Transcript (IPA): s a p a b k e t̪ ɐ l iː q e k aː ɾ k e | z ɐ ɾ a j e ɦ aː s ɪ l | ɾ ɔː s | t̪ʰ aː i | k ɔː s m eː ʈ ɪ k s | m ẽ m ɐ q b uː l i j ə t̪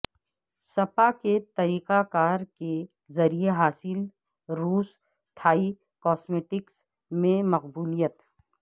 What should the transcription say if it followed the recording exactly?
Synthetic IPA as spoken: s ɐ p a k e t̪ ɐ ɾ iː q a k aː ɾ k e | z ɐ ɾ i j e ɦ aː s ɪ l | ɾ uː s | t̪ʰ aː i | k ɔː s m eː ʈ ɪ k s | m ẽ m ɐ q b uː l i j ə t̪